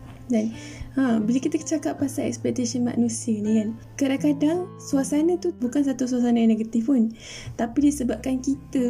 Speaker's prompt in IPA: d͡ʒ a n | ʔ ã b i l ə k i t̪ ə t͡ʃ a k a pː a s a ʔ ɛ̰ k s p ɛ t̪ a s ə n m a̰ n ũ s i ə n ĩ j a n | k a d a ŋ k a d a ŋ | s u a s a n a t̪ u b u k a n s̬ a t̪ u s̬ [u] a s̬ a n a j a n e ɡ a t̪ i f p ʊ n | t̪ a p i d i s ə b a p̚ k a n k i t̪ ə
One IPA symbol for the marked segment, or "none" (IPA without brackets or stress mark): u